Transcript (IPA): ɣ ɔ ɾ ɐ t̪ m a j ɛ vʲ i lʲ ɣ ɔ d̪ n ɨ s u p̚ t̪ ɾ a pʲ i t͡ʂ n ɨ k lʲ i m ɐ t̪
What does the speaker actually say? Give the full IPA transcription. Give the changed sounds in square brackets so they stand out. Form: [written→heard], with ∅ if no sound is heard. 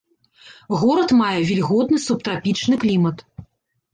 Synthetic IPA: ɣ ɔ ɾ ɐ t̪ m a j ɛ vʲ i lʲ ɣ ɔ d̪ n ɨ s u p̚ t̪ ɾ a pʲ i t͡ʂ n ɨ k lʲ i m ɐ t̪